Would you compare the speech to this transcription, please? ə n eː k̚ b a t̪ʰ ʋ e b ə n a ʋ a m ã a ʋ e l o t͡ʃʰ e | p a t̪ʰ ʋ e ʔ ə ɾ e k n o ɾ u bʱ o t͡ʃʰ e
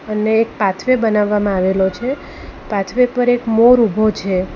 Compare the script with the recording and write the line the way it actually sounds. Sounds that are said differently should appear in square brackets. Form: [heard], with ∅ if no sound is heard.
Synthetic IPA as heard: ə n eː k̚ [p] a t̪ʰ ʋ e b ə n a [ʋː] a m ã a ʋ e l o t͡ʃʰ e | p a t̪ʰ ʋ e [p] ə ɾ e k [m] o ɾ u bʱ o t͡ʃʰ e